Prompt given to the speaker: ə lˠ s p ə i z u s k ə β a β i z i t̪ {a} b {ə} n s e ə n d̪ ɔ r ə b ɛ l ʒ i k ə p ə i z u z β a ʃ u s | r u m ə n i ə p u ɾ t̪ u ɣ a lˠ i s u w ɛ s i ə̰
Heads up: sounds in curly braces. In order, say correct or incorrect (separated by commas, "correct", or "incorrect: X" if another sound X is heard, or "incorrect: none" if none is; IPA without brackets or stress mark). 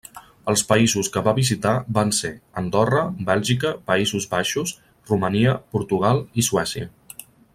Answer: correct, incorrect: a